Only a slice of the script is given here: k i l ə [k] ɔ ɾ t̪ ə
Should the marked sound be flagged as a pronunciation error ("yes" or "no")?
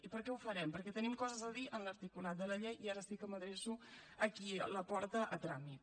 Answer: yes